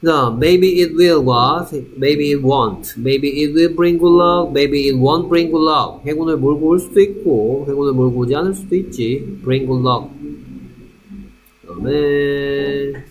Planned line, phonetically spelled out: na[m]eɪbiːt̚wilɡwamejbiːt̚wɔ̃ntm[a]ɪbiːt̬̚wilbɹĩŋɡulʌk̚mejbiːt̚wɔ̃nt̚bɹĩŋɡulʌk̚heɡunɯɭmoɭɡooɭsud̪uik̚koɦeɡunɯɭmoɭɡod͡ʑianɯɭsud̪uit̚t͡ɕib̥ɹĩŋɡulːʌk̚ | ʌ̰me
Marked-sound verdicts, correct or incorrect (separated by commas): correct, incorrect